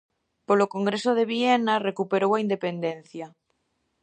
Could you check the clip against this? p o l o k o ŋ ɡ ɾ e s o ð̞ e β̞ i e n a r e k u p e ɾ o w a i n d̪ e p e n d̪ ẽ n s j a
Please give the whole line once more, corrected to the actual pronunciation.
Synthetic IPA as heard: p o l o k o ŋ ɡ ɾ e s o ð̞ e β̞ i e n a r e k u p e ɾ o w a i n d̪ e p e n d̪ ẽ n θ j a